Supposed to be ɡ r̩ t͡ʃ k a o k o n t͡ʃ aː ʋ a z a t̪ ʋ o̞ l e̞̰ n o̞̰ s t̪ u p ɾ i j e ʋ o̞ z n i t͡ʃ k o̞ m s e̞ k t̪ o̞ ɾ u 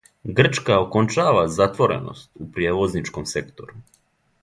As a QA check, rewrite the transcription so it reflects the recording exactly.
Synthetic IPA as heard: ɡ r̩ t͡ʃ k a o k o n t͡ʃ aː ʋ a z a t̪ ʋ o̞ ɾ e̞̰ n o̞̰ s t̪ u p ɾ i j e ʋ o̞ z n i t͡ʃ k o̞ m s e̞ k t̪ o̞ ɾ u